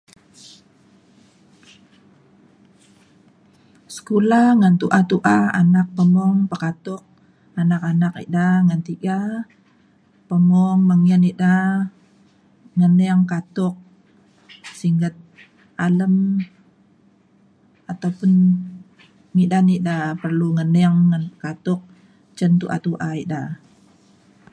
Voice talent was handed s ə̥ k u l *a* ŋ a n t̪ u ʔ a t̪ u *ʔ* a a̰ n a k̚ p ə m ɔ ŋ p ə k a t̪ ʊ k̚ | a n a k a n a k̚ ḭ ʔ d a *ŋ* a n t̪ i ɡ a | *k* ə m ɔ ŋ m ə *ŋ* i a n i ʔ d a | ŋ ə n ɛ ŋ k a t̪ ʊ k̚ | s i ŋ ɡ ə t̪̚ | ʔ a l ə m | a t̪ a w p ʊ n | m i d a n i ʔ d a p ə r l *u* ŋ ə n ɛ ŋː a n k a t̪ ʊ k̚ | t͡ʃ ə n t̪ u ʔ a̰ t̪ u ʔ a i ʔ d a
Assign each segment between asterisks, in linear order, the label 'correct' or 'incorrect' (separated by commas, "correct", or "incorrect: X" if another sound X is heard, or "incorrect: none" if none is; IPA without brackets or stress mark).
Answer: correct, correct, correct, incorrect: p, correct, correct